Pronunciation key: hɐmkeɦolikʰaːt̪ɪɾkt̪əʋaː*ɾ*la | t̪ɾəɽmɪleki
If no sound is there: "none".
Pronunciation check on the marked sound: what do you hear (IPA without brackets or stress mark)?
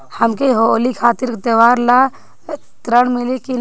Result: ɾ